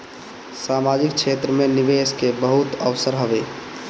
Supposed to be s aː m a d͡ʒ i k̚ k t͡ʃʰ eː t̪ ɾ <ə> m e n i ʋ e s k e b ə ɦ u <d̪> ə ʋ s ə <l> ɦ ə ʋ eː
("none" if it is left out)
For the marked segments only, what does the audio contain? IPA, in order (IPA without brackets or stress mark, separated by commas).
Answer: ə, t̪, ɾ